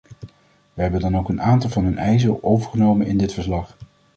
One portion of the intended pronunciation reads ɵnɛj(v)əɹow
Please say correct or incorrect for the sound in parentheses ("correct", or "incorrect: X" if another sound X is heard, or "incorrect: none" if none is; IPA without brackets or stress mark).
incorrect: z